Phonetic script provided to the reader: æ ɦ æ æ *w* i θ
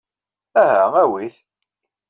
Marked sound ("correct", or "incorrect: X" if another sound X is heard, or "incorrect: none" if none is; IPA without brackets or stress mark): correct